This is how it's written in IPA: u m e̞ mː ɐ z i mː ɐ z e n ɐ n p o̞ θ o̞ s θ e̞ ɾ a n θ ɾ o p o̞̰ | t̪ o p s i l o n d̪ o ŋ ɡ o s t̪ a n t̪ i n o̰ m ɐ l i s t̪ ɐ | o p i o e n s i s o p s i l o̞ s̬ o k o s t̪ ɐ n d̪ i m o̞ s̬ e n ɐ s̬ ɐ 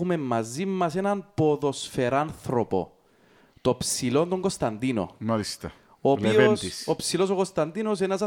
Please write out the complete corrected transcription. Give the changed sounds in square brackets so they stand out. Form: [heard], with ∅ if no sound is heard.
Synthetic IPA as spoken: u m e̞ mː ɐ z i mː ɐ [s] e n ɐ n p o̞ [ð] o̞ s [f] e̞ ɾ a n θ ɾ o p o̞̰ | t̪ o p s i l o n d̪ o ŋ ɡ o s t̪ [ɐ] n [d̪] i n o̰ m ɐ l i s t̪ ɐ | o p i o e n s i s o p s i l o̞ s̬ o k o s t̪ ɐ n d̪ i [n] o̞ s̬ e n ɐ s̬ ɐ